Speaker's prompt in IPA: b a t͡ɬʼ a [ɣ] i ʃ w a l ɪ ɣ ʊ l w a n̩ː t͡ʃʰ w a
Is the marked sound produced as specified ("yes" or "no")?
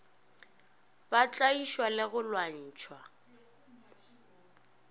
no